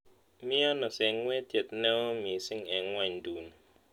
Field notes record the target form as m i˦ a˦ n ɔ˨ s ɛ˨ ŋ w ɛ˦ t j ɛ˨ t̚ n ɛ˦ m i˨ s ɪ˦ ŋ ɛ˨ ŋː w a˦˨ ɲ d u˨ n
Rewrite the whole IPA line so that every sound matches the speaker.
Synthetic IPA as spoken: m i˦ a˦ n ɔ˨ s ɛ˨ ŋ w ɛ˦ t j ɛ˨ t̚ n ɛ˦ m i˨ s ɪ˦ ŋ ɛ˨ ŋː w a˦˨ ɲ d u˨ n